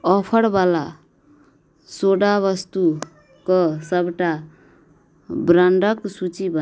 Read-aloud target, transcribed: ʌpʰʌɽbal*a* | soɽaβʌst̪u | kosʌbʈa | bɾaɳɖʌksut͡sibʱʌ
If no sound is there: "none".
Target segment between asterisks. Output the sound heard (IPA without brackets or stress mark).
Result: a